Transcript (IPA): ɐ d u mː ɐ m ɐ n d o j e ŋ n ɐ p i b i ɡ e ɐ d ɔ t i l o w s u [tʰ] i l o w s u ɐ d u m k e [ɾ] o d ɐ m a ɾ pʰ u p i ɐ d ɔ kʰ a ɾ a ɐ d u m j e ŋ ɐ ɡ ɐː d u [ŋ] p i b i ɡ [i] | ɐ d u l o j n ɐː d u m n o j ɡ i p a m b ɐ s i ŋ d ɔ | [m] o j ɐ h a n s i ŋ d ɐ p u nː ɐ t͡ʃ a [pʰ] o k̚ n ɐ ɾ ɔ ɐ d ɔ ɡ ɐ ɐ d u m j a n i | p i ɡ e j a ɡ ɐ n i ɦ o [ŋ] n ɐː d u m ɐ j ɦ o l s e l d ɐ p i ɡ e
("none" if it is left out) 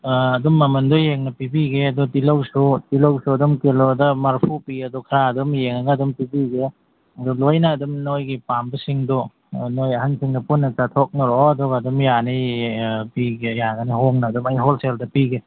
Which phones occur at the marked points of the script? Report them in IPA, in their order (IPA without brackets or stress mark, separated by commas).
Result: t, l, m, e, n, tʰ, ŋ